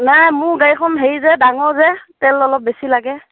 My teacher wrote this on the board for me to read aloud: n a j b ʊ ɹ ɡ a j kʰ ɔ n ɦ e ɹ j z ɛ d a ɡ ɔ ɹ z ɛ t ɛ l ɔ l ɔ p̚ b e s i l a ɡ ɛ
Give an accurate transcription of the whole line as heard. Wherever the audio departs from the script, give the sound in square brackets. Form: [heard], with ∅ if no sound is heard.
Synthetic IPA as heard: n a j [m] ʊ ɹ ɡ a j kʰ ɔ n ɦ e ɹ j z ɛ d a [ŋ] ɔ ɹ z ɛ t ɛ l ɔ l ɔ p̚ b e s i l a ɡ ɛ

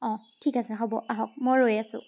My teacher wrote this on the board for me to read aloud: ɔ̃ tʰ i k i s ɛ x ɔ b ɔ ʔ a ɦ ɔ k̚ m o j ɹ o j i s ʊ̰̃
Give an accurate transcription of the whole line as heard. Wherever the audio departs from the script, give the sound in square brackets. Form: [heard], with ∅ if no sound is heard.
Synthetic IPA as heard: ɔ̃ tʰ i k [a] s ɛ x ɔ b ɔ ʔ a ɦ ɔ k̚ m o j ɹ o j [a] s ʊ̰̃

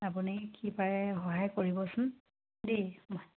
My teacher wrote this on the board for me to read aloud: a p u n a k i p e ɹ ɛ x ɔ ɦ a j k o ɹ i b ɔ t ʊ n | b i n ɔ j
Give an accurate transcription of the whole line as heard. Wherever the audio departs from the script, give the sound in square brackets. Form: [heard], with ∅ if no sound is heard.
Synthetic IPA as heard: a p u n [i] k i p [a] ɹ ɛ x ɔ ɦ a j k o ɹ i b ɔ [s] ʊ n | [d] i [m] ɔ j

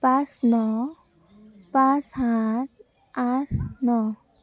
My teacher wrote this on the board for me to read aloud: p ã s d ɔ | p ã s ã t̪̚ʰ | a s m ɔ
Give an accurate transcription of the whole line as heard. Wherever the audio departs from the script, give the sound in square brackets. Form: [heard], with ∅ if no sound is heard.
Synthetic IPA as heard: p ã s [n] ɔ | p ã s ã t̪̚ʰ | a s [n] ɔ

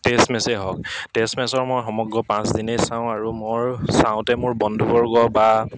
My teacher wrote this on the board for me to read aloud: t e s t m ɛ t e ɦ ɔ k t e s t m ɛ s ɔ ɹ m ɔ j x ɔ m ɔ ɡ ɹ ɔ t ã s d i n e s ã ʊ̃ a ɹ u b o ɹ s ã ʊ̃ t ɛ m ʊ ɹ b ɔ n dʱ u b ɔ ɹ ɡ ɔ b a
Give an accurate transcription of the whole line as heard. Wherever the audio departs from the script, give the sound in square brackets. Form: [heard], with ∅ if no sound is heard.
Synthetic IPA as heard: t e s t m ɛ [s] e ɦ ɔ k t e s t m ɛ s ɔ ɹ m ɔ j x ɔ m ɔ ɡ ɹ ɔ [p] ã s d i n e s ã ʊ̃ a ɹ u [m] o ɹ s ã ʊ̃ t ɛ m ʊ ɹ b ɔ n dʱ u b ɔ ɹ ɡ ɔ b a

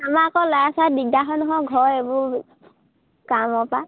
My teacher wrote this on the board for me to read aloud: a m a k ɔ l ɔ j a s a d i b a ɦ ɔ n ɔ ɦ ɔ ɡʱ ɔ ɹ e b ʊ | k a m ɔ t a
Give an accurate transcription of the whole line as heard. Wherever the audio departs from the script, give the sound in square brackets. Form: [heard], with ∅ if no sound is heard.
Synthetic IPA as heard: a m a k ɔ l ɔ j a s a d i [d] a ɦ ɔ n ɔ ɦ ɔ ɡʱ ɔ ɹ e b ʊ | k a m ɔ [p] a

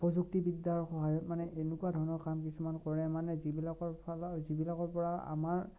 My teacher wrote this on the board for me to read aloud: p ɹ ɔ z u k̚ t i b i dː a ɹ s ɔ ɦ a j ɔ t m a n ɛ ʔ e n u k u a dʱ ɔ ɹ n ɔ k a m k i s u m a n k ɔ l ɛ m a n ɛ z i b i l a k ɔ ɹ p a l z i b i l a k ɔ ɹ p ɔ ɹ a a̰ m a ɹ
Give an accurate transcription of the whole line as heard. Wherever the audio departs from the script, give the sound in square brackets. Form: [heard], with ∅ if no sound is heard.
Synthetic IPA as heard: p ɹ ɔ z u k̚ t i b i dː a ɹ [x] ɔ ɦ a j ɔ t m a n ɛ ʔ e n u k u a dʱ ɔ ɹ n ɔ k a m k i s u m a n k ɔ [ɹ] ɛ m a n ɛ z i b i l a k ɔ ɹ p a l z i b i l a k ɔ ɹ p ɔ ɹ a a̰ m a ɹ

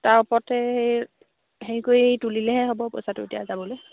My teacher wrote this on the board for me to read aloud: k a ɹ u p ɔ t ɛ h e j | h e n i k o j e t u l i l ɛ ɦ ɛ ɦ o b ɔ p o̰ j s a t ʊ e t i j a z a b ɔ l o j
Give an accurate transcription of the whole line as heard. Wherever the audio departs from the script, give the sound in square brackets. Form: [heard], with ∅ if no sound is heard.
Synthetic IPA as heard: [t] a ɹ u p ɔ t ɛ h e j | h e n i k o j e t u l i l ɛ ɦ ɛ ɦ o b ɔ p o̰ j s a t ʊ e t i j a z a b ɔ l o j

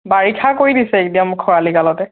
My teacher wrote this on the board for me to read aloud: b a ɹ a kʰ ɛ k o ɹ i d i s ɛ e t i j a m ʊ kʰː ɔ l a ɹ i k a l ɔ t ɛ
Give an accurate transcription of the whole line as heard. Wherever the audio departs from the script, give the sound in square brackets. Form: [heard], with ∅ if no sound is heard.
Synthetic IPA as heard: b a ɹ [i] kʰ [a] k o ɹ i d i s ɛ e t i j a m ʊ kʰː ɔ [ɹ] a [l] i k a l ɔ t ɛ

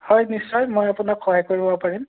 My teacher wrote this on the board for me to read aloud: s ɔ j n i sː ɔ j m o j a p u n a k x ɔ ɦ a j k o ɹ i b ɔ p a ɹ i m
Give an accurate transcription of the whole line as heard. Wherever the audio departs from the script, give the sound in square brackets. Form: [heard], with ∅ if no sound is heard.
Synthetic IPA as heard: [h] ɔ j n i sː ɔ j m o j a p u n a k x ɔ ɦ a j k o ɹ i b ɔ p a ɹ i m

